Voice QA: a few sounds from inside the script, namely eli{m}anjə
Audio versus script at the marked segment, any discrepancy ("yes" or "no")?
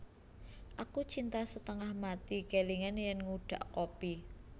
yes